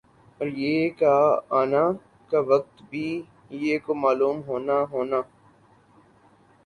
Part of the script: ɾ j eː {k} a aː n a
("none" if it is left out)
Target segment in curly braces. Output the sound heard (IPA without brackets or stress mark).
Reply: k